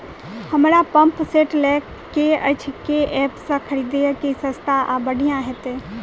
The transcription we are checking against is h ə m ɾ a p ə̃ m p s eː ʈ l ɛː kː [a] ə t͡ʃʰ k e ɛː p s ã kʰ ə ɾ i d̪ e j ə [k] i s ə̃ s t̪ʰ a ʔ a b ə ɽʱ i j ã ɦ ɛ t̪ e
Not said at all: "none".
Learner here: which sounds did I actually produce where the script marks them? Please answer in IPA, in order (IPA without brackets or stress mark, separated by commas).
e, k